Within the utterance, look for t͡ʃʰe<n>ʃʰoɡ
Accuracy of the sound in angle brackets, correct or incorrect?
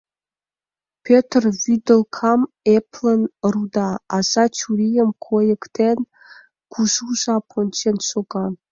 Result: correct